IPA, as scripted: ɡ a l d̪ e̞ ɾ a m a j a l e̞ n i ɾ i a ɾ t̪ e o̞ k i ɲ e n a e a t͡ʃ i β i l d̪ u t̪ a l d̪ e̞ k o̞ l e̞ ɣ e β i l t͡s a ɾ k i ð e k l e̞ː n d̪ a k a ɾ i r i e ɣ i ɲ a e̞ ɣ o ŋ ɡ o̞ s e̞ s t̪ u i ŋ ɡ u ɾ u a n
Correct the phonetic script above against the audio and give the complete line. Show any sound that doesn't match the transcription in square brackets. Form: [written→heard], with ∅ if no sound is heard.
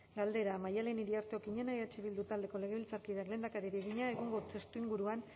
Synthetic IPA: ɡ a l d̪ e̞ ɾ a m a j a l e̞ n i ɾ i a ɾ t̪ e o̞ k i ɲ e n a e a t͡ʃ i β i l d̪ u t̪ a l d̪ e̞ k o̞ l e̞ ɣ e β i l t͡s a ɾ k i ð [e→a] k l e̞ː n d̪ a k a ɾ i [r→ɾ] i e ɣ i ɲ a e̞ ɣ o ŋ ɡ o̞ [s→t͡s] e̞ s t̪ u i ŋ ɡ u ɾ u a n

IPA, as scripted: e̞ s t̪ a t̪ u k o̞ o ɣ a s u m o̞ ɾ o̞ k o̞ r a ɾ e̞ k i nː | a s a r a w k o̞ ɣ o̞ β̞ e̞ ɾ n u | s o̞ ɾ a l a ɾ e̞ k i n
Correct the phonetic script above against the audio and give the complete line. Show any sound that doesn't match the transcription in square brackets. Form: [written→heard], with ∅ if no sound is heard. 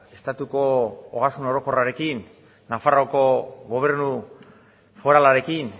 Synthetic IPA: e̞ s t̪ a t̪ u k o̞ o ɣ a s u [m→n] o̞ ɾ o̞ k o̞ r a ɾ e̞ k i nː | a [s→f] a r a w k o̞ ɣ o̞ β̞ e̞ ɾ n u | [s→f] o̞ ɾ a l a ɾ e̞ k i n

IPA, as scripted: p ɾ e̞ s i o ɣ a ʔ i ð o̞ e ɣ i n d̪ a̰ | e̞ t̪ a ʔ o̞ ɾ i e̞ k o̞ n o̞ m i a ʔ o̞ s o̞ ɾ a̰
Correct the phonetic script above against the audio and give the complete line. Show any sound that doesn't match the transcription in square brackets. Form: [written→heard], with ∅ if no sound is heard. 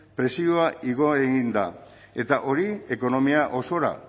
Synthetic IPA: p ɾ e̞ s i o [ɣ→∅] a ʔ i [ð→ɣ] o̞ e ɣ i n d̪ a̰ | e̞ t̪ a ʔ o̞ ɾ i e̞ k o̞ n o̞ m i a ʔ o̞ s o̞ ɾ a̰

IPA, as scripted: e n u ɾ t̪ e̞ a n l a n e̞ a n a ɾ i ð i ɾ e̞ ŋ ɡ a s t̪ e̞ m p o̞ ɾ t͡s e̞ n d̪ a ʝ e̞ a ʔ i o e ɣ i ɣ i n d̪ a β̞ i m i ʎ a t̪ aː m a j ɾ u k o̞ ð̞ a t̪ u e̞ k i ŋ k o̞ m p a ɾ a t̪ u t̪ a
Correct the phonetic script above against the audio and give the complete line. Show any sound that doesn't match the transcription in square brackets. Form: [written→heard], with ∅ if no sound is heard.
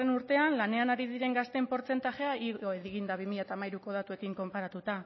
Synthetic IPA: e n u ɾ t̪ e̞ a n l a n e̞ a n a ɾ i ð i ɾ e̞ ŋ ɡ a s t̪ e̞ m p o̞ ɾ t͡s e̞ n [d̪→t̪] a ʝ e̞ a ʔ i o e [ɣ→ð] i ɣ i n d̪ a β̞ i m i ʎ a t̪ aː m a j ɾ u k o̞ ð̞ a t̪ u e̞ k i ŋ k o̞ m p a ɾ a t̪ u t̪ a

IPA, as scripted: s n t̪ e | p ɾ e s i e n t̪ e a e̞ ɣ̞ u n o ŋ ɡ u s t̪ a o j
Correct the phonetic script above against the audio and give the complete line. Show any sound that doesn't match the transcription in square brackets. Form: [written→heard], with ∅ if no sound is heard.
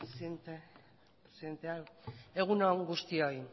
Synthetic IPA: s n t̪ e | p ɾ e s i e n t̪ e a e̞ ɣ̞ u n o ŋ ɡ u s t̪ [a→i] o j

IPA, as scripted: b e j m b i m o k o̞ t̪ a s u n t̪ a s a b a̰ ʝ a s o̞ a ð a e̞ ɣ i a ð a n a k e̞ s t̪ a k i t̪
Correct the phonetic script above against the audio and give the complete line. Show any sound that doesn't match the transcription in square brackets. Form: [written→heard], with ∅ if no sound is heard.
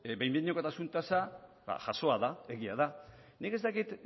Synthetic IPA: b e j m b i [m→ɲ] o k o̞ t̪ a s u n t̪ a s a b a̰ ʝ a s o̞ a ð a e̞ ɣ i a ð a n [a→i] k e̞ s t̪ a k i t̪

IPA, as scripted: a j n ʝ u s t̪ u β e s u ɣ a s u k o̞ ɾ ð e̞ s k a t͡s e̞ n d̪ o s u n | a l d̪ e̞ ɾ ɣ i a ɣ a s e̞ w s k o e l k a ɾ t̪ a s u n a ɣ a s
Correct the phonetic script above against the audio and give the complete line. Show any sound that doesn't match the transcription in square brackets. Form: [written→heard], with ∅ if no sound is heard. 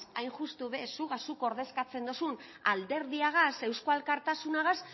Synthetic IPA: a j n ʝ u s t̪ u β e s u ɣ a s u k o̞ ɾ ð e̞ s k a t͡s e̞ n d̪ o s u n | a l d̪ e̞ ɾ [ɣ→ð] i a ɣ a s e̞ w s k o [e→a] l k a ɾ t̪ a s u n a ɣ a s

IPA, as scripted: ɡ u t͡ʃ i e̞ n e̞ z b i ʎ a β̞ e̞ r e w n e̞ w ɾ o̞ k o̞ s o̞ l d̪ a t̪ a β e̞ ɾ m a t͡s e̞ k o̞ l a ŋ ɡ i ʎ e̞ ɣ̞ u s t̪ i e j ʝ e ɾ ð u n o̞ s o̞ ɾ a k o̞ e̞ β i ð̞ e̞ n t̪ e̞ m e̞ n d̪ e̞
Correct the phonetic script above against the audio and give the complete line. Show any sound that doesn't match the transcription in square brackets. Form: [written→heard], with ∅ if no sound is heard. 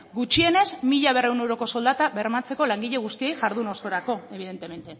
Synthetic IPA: ɡ u t͡ʃ i e̞ n e̞ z [b→m] i ʎ a β̞ e̞ r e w n e̞ w ɾ o̞ k o̞ s o̞ l d̪ a t̪ a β e̞ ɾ m a t͡s e̞ k o̞ l a ŋ ɡ i ʎ e̞ ɣ̞ u s t̪ i e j ʝ [e→a] ɾ ð u n o̞ s o̞ ɾ a k o̞ e̞ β i ð̞ e̞ n t̪ e̞ m e̞ n [d̪→t̪] e̞

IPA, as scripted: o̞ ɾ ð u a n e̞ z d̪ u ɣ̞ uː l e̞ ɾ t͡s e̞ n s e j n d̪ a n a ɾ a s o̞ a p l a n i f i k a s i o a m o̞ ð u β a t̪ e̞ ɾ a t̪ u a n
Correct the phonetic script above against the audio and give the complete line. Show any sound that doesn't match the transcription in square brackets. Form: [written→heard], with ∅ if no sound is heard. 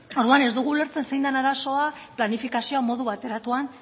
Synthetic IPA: o̞ ɾ ð u a n e̞ z d̪ u ɣ̞ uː l e̞ ɾ t͡s e̞ n s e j n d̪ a n a ɾ a s o̞ a p l a n i f i k a s i o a m o̞ ð u β a t̪ e̞ ɾ a t̪ u a n

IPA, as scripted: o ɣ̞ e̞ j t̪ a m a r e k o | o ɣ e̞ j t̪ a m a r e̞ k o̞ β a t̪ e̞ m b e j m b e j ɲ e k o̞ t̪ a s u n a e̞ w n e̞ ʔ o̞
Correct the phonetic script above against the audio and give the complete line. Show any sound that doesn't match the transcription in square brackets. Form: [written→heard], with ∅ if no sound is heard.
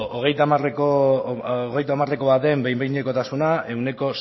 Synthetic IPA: o ɣ̞ e̞ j t̪ a m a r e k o | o ɣ e̞ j t̪ a m a r e̞ k o̞ β a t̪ e̞ m b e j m b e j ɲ e k o̞ t̪ a s u n a e̞ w n e̞ [ʔ→k] o̞

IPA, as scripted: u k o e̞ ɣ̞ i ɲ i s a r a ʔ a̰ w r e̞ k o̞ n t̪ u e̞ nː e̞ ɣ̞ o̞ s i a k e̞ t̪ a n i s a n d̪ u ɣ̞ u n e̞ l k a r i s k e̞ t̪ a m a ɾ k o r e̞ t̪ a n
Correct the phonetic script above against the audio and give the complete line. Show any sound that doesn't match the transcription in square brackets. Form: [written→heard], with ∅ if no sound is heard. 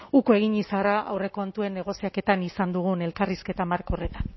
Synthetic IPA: u k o e̞ ɣ̞ i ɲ i s a r a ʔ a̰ w r e̞ k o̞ n t̪ u e̞ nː e̞ ɣ̞ o̞ s i a k e̞ t̪ a n i s a n d̪ u ɣ̞ u n e̞ l k a r i s k e̞ t̪ a m a ɾ k o r e̞ t̪ a n

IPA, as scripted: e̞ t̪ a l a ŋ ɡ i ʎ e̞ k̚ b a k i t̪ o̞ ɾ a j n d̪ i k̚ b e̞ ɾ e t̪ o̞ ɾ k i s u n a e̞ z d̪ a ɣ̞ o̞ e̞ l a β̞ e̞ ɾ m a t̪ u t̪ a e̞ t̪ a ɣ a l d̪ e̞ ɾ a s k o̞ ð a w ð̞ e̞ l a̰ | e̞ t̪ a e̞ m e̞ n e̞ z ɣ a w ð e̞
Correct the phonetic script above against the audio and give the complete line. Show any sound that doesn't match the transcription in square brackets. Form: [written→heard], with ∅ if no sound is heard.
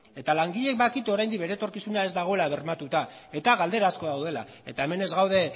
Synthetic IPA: e̞ t̪ a l a ŋ ɡ i ʎ e̞ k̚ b a k i t̪ o̞ ɾ a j n d̪ i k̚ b e̞ ɾ e t̪ o̞ ɾ k i s u n a e̞ z d̪ a ɣ̞ o̞ e̞ l a β̞ e̞ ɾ m a t̪ u t̪ a e̞ t̪ a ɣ a l d̪ e̞ ɾ a s k o̞ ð a w ð̞ e̞ l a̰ | e̞ t̪ a e̞ m e̞ n e̞ z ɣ a w ð e̞

